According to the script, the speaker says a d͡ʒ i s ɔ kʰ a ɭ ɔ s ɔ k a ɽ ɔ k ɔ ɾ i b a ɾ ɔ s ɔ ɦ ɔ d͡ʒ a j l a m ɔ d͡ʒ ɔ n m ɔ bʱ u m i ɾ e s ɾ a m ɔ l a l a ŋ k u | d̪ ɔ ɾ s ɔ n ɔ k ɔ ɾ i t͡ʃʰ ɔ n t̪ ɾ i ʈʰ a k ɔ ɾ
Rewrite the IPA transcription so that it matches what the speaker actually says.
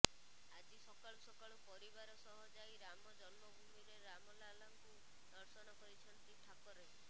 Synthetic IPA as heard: a d͡ʒ i s ɔ k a ɭ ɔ s ɔ k a ɭ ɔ p ɔ ɾ i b a ɾ ɔ s ɔ ɦ ɔ d͡ʒ a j ɾ a m ɔ d͡ʒ ɔ n m ɔ bʱ u m i ɾ e ɾ a m ɔ l a l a ŋ k u | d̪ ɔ ɾ s ɔ n ɔ k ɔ ɾ i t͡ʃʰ ɔ n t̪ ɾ i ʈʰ a k ɔ ɾ